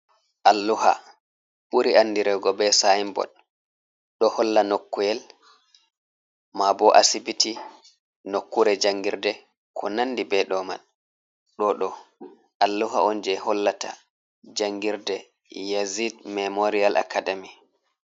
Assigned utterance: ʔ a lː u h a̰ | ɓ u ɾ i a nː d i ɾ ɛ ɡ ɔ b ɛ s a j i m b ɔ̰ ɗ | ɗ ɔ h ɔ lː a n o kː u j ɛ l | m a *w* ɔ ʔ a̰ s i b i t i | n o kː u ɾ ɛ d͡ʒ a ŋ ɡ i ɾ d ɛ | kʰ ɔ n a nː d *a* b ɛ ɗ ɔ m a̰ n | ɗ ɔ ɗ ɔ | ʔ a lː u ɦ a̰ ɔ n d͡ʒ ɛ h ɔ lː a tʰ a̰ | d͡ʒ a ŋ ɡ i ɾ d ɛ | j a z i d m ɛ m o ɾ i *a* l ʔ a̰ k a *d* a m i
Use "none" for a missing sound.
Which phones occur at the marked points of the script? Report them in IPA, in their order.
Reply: b, i, a, d

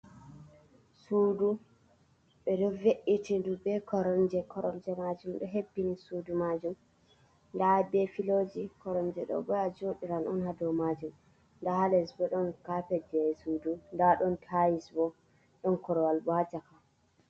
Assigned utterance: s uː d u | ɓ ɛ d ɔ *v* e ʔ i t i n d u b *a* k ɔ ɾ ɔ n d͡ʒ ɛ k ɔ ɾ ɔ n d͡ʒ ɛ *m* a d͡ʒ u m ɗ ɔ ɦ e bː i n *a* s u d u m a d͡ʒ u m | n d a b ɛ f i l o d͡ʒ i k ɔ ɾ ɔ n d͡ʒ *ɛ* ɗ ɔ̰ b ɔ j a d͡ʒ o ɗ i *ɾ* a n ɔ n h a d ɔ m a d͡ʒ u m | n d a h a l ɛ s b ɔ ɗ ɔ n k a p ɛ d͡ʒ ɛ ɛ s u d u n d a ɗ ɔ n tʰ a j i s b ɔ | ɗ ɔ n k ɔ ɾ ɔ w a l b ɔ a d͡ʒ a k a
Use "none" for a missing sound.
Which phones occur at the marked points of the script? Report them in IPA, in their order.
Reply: v, ɛ, m, i, ɛ, ɾ

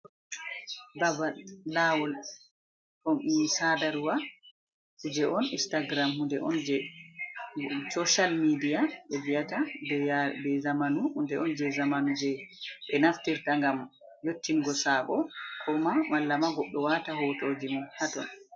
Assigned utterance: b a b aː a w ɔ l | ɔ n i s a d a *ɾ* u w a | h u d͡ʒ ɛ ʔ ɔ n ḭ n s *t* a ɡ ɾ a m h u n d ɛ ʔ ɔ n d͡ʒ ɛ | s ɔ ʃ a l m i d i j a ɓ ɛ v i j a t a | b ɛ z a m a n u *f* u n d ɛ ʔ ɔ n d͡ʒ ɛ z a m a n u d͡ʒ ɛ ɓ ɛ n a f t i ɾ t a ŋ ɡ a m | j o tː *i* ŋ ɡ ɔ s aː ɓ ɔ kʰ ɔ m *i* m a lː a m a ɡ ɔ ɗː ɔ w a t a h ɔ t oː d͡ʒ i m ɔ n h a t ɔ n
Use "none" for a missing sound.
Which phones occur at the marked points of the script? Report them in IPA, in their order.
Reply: ɾ, t, h, i, a

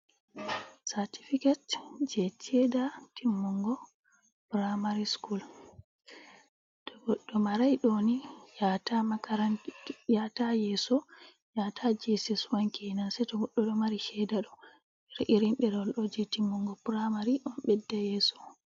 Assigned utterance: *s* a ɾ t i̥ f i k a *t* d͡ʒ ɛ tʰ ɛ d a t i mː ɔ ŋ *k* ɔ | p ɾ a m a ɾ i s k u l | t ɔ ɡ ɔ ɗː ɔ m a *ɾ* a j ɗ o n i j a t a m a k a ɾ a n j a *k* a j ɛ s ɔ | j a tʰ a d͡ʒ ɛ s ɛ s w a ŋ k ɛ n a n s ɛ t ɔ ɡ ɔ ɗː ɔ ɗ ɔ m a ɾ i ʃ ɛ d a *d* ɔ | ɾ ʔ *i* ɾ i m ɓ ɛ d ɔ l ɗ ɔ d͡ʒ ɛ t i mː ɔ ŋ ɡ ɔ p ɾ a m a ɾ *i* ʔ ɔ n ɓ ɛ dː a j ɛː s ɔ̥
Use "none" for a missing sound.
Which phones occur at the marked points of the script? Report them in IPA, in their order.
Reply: s, t, ɡ, ɾ, t, ɗ, i, i

